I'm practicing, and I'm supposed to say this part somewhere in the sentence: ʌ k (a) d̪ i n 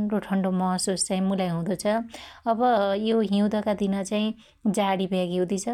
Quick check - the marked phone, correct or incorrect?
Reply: correct